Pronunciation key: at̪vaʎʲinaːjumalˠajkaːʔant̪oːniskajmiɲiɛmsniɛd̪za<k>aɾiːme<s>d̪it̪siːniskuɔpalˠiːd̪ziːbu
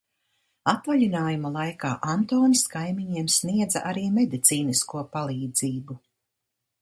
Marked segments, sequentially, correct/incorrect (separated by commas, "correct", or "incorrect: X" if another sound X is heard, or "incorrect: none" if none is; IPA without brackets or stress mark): incorrect: ʔ, incorrect: none